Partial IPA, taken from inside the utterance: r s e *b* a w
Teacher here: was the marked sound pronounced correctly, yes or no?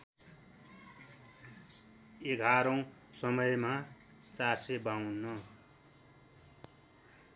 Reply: yes